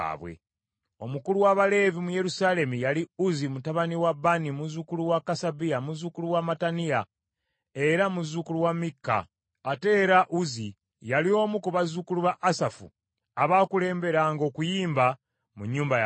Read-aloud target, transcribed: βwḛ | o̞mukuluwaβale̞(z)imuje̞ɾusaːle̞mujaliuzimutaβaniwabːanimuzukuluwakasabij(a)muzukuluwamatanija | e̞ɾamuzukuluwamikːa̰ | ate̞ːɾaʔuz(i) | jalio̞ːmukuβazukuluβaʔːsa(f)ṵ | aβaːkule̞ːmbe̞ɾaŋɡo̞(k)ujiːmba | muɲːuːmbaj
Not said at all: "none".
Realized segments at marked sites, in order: v, a, i, f, k

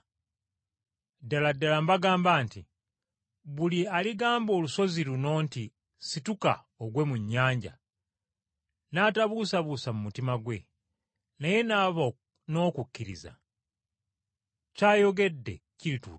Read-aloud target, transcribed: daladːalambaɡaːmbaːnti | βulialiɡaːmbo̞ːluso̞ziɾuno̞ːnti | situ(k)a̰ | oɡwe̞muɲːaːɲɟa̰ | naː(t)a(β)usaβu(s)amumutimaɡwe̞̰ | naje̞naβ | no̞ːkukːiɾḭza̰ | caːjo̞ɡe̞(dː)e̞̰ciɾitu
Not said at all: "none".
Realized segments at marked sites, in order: k, t, β, s, dː

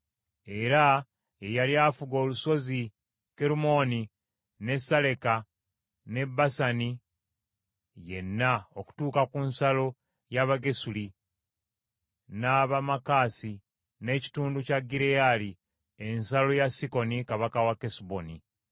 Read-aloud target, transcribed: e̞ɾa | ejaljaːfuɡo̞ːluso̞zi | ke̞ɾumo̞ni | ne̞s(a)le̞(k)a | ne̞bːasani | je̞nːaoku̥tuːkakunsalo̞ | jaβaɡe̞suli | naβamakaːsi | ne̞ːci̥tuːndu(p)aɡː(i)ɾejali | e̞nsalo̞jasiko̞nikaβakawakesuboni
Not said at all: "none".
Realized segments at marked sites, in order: a, k, c, i

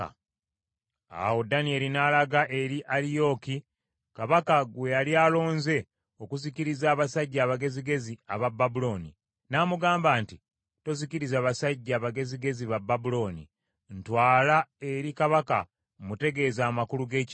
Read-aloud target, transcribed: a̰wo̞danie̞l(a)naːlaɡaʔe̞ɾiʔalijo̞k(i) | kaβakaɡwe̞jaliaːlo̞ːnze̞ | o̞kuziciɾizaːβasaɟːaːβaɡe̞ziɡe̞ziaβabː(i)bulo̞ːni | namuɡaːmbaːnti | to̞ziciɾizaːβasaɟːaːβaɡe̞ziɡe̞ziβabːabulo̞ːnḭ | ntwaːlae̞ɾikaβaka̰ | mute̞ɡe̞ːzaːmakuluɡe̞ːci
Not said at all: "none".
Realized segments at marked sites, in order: i, i, a

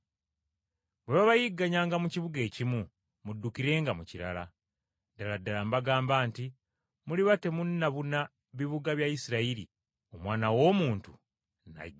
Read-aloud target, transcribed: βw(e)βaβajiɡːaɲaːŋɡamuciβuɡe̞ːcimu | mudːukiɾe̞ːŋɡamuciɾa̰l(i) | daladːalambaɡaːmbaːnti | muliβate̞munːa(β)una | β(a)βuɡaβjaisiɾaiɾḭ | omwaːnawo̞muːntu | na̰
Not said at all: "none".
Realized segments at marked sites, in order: e, a, β, i

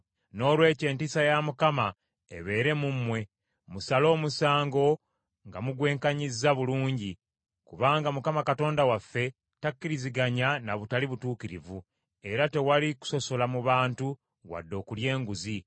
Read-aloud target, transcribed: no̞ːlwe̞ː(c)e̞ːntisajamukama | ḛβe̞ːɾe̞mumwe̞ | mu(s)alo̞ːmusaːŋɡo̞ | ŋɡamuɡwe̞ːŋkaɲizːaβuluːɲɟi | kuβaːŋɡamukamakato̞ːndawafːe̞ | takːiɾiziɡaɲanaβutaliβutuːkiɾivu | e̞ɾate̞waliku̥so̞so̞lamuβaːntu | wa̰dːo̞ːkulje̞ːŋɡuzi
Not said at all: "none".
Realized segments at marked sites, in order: c, s

